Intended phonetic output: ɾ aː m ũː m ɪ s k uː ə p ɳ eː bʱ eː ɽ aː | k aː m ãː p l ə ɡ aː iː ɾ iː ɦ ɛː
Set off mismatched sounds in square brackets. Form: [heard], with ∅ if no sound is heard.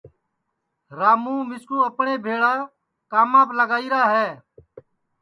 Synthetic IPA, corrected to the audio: ɾ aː m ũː m ɪ s k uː ə p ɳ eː bʱ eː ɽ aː | k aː m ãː p l ə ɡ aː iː ɾ [aː] ɦ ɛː